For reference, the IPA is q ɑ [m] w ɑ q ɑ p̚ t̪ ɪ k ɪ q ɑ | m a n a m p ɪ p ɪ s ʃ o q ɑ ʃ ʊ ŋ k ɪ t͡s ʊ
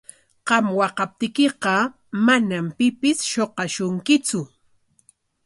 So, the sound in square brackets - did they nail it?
yes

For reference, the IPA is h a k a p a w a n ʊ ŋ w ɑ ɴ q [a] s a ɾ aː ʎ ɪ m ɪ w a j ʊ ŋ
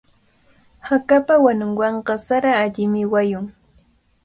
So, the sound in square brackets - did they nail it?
no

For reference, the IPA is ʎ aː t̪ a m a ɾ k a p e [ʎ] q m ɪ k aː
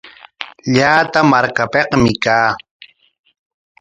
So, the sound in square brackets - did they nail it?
no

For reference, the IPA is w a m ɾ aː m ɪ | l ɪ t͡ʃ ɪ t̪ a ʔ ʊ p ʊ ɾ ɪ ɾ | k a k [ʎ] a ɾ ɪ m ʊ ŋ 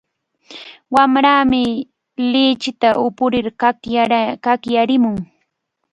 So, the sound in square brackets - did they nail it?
no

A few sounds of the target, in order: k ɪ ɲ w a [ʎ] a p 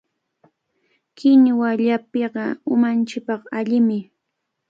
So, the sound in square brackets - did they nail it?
yes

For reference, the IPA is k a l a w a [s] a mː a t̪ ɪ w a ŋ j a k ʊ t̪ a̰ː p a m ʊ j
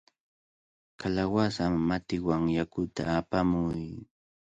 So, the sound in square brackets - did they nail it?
yes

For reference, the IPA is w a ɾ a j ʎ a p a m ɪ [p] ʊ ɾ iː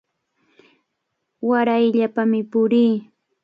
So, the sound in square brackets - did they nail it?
yes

